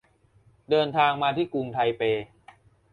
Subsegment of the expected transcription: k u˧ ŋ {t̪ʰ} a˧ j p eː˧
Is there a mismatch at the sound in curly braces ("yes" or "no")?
no